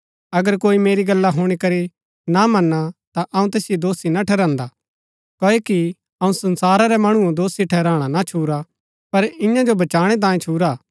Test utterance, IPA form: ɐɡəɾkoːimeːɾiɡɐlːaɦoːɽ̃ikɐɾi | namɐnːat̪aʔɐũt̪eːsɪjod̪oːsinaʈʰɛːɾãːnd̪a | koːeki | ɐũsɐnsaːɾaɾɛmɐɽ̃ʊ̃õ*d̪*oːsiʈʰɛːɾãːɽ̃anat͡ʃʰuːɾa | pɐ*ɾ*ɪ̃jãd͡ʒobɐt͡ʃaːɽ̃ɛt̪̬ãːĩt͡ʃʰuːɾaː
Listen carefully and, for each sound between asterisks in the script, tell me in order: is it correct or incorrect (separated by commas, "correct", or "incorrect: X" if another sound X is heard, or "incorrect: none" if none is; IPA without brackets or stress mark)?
correct, correct